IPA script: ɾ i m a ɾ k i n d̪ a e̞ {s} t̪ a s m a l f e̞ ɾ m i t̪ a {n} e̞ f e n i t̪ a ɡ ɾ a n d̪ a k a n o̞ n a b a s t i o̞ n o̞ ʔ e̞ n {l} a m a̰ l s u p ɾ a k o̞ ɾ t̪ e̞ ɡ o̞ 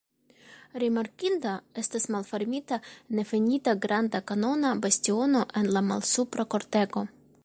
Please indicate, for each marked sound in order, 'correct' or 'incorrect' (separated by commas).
correct, correct, correct